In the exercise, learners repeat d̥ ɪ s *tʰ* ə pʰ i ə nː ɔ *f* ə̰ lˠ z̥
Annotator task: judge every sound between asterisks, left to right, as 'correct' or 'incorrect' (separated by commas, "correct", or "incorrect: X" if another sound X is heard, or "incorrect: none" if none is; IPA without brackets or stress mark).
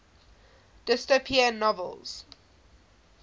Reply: incorrect: t, incorrect: v